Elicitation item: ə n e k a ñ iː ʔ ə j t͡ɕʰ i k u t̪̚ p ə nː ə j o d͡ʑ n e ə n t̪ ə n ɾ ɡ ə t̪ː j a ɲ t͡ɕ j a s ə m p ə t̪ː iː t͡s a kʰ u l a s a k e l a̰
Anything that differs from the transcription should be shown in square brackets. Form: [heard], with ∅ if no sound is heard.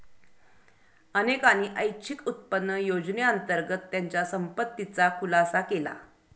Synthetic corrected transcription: ə n e k a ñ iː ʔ ə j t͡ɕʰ i k u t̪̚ p ə nː ə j o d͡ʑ n e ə n t̪ ə [∅] ɾ ɡ ə t̪ː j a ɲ t͡ɕ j a s ə m p ə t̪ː [i] t͡s a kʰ u l a s a k e l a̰